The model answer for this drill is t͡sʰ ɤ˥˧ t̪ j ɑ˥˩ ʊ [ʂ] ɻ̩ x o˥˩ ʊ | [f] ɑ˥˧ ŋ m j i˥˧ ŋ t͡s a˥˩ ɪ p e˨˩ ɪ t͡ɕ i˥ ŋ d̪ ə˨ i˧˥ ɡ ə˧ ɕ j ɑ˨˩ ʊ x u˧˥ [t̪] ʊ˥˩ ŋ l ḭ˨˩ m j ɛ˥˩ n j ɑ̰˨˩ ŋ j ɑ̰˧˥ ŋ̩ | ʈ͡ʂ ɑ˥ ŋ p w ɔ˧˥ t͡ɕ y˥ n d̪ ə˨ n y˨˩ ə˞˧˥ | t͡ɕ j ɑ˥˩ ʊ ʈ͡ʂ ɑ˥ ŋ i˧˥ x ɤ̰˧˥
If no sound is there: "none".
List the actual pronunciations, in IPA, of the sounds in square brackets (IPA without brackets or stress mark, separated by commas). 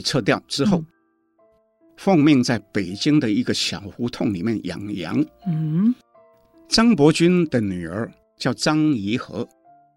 ʈ͡ʂ, f, t̪ʰ